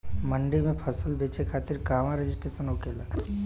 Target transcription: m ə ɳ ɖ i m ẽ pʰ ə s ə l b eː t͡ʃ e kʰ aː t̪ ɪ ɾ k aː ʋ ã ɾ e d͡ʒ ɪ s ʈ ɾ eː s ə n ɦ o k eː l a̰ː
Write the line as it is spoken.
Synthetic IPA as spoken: m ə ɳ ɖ i m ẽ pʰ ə s ə l b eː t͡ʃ e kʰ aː t̪ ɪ ɾ k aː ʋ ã ɾ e d͡ʒ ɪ s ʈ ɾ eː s ə n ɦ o k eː l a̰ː